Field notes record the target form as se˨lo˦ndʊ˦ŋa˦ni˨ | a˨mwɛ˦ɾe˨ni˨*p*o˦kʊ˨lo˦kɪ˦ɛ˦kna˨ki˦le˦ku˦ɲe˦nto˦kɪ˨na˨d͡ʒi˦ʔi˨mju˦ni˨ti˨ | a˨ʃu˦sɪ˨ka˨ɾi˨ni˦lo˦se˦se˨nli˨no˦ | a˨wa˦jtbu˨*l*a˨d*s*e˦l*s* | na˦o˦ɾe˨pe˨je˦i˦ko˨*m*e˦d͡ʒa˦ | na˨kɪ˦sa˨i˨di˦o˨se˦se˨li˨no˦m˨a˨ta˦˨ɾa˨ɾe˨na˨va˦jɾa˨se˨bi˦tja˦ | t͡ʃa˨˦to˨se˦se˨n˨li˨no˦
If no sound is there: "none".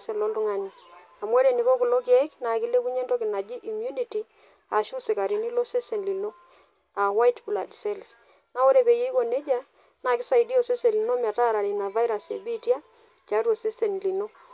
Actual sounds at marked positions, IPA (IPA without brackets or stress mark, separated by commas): k, l, s, s, n